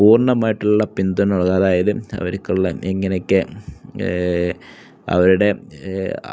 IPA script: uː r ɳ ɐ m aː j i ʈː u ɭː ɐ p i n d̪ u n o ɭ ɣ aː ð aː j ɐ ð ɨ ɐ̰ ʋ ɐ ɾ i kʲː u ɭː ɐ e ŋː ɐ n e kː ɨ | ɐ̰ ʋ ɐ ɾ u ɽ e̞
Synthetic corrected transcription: uː r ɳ ɐ m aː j i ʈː u ɭː ɐ p i n d̪ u n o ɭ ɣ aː ð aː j ɐ ð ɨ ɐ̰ ʋ ɐ ɾ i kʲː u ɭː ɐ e ŋː ɐ n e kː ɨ | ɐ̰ ʋ ɐ ɾ u ɽ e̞

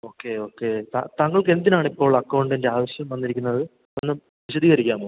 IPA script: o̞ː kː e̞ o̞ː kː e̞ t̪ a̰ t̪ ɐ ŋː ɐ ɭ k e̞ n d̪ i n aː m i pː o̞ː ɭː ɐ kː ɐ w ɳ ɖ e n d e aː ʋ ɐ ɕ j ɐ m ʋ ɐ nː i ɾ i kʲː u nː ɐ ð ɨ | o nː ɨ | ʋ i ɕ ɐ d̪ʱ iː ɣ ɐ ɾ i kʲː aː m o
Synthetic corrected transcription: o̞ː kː e̞ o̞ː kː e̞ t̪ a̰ t̪ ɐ ŋː ɐ ɭ k e̞ n d̪ i n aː ɳ i pː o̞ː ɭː ɐ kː ɐ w ɳ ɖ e n d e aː ʋ ɐ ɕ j ɐ m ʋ ɐ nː i ɾ i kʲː u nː ɐ ð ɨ | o nː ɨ | ʋ i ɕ ɐ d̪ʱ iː ɣ ɐ ɾ i kʲː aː m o

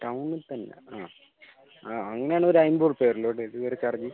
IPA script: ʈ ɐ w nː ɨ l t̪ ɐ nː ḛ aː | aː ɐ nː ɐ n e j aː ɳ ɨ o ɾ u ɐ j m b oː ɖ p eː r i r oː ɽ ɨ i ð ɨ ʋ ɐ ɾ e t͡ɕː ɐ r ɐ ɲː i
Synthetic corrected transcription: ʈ ɐ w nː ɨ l t̪ ɐ nː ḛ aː | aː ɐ ŋː ɐ n e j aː ɳ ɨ o ɾ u ɐ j m b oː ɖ p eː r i l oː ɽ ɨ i ð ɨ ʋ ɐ ɾ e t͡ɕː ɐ r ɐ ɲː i

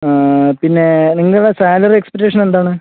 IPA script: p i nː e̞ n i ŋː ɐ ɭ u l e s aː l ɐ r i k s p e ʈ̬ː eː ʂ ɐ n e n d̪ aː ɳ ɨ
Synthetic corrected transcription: p i nː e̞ n i ŋː ɐ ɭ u ɽ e s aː l ɐ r e k s p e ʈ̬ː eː ʂ ɐ n e n d̪ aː ɳ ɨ

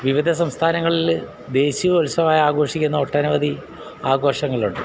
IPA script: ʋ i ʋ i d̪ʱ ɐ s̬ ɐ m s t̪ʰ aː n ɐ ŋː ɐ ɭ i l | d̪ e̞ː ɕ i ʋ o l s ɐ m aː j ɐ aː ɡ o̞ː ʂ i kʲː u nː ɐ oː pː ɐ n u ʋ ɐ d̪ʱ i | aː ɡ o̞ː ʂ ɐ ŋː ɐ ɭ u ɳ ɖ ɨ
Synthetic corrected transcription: ʋ i ʋ i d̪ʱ ɐ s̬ ɐ m s t̪ʰ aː n ɐ ŋː ɐ ɭ i l | d̪ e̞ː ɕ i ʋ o l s ɐ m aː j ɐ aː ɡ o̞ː ʂ i kʲː u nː ɐ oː ʈː ɐ n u ʋ ɐ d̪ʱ i | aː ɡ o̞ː ʂ ɐ ŋː ɐ ɭ u ɳ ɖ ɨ

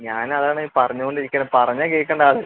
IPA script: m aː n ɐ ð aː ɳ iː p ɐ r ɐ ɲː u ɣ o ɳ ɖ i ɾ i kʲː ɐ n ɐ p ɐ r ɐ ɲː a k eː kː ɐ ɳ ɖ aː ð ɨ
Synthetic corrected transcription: ɲ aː n ɐ ð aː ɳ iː p ɐ r ɐ ɲː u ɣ o ɳ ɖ i ɾ i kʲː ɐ n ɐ p ɐ r ɐ ɲː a k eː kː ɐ ɳ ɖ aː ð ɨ

